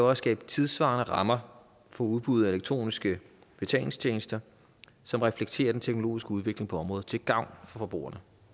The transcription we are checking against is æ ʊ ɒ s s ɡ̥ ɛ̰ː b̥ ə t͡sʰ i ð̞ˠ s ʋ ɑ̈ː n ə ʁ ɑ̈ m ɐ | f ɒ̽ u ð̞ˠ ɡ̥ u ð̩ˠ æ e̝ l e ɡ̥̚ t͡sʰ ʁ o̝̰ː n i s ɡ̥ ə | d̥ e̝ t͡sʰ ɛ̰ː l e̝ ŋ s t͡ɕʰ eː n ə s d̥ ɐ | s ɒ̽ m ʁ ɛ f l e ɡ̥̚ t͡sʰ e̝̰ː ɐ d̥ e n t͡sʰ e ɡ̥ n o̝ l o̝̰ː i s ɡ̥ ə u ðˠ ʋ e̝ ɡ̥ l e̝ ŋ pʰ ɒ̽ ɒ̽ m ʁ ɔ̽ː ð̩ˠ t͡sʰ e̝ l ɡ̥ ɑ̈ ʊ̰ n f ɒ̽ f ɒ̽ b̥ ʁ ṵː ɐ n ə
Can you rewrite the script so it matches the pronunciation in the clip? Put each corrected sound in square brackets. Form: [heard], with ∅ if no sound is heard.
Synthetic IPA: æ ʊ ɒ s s ɡ̥ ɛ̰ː b̥ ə t͡sʰ i ð̞ˠ s ʋ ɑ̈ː n ə ʁ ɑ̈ m ɐ | f ɒ̽ u ð̞ˠ [b̥] u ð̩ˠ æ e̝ l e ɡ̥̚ t͡sʰ ʁ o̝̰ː n i s ɡ̥ ə | [b̥] e̝ t͡sʰ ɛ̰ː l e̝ ŋ s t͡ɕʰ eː n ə s d̥ ɐ | s ɒ̽ m ʁ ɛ f l e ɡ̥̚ t͡sʰ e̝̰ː ɐ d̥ e n t͡sʰ e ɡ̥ n o̝ l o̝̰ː i s ɡ̥ ə u ðˠ ʋ e̝ ɡ̥ l e̝ ŋ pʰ ɒ̽ ɒ̽ m ʁ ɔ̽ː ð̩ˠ t͡sʰ e̝ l ɡ̥ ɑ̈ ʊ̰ n f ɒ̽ f ɒ̽ b̥ ʁ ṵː ɐ n ə